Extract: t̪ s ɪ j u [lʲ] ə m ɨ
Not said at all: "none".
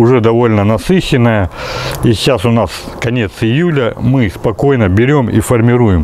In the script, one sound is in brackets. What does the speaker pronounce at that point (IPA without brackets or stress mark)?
lʲ